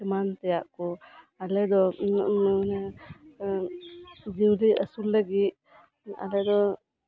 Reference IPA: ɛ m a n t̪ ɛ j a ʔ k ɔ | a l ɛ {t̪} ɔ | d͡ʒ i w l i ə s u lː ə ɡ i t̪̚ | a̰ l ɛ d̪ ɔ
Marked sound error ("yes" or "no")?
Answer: yes